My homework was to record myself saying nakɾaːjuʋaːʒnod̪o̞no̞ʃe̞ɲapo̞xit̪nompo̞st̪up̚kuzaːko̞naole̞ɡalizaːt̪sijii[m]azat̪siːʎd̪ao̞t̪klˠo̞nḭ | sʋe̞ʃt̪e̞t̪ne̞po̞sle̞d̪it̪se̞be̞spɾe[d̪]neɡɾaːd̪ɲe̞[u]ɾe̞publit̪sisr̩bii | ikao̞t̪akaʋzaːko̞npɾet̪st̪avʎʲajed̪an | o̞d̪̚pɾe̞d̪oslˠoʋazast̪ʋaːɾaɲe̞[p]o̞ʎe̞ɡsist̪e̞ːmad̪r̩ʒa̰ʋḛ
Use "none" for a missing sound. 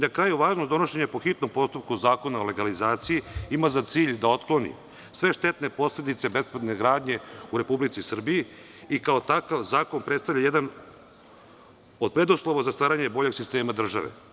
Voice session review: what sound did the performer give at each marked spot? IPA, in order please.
m, d̪, u, b

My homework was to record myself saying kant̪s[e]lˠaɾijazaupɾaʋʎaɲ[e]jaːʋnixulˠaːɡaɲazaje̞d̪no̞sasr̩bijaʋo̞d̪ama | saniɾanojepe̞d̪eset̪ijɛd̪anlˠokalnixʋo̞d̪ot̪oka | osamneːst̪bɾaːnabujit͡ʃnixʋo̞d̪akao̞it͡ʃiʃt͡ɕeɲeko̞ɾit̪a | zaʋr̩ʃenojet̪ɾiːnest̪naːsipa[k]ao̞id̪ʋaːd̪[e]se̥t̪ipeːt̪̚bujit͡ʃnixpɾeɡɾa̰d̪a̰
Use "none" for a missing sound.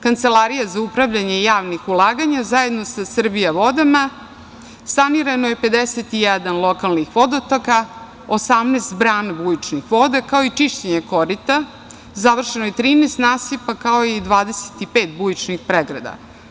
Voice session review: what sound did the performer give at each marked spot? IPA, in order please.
e, e, k, e

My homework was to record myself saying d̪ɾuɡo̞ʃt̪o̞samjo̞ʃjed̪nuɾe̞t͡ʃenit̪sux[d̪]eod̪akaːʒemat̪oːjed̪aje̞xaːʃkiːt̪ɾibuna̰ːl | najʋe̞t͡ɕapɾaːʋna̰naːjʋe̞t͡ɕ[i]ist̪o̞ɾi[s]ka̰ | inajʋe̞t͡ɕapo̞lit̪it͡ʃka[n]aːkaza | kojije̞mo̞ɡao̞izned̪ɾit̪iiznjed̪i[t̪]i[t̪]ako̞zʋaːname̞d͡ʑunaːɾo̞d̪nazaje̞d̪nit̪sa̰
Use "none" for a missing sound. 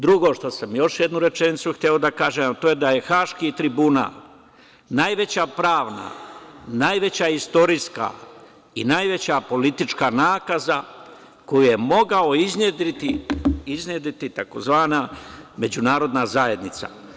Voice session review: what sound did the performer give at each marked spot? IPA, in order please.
t̪, a, s, n, t̪, t̪

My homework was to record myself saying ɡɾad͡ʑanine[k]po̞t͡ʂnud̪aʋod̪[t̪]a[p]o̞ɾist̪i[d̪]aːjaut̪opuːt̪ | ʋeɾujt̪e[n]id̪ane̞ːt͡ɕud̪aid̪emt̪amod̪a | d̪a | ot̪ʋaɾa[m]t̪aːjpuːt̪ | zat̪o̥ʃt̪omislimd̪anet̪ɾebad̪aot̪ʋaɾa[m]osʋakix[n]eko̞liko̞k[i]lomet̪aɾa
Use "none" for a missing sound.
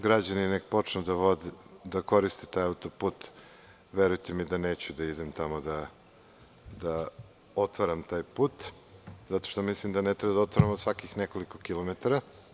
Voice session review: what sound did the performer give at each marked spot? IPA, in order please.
k, d̪, k, t̪, m, m, m, n, i

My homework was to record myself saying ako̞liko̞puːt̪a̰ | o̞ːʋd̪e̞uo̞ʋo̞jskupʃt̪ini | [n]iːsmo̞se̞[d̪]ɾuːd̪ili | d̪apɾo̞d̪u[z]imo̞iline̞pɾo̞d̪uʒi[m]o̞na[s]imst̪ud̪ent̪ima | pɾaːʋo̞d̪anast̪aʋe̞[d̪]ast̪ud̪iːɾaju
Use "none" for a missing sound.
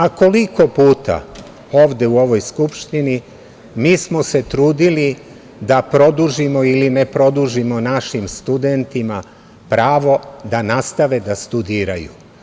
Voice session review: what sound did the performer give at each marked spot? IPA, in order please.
m, t̪, ʒ, m, ʃ, d̪

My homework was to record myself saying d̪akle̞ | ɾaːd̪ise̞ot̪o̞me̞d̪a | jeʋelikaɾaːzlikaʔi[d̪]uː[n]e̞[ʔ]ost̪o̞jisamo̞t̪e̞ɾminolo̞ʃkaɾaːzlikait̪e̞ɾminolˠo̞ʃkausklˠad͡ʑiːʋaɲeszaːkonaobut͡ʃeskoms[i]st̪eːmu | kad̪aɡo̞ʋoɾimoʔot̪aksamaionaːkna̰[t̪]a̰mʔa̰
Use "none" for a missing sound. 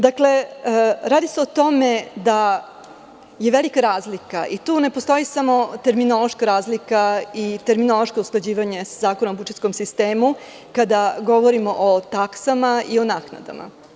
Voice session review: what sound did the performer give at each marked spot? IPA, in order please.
t̪, n, p, i, d̪

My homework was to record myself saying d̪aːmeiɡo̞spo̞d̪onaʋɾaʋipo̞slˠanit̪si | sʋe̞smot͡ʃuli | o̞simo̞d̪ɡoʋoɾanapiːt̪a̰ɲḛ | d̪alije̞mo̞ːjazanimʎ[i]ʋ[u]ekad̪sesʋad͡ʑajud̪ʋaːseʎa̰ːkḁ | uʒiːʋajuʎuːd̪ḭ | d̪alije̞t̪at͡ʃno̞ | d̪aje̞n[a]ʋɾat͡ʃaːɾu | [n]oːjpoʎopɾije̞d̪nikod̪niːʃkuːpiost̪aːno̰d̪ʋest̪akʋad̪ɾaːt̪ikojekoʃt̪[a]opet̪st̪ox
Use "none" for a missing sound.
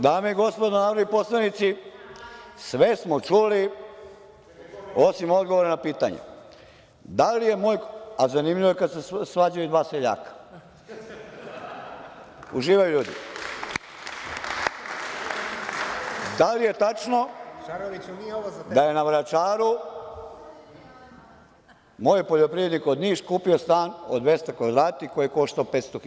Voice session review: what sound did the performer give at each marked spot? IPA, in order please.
i, o, a, m, a

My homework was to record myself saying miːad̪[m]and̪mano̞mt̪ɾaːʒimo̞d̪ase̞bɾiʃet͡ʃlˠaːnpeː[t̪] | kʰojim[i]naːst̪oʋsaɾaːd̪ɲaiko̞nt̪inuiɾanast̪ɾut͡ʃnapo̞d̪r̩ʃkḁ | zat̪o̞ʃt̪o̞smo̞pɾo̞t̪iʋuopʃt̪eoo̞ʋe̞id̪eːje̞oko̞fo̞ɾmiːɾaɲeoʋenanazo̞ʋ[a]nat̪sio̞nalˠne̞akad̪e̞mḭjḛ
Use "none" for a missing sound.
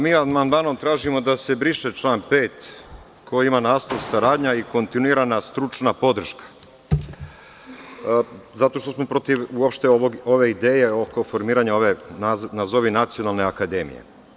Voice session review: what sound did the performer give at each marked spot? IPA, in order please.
m, t̪, a, i

